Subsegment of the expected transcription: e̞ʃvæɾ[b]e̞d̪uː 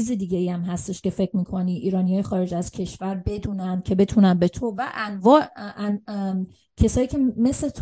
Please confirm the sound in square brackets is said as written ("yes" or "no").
yes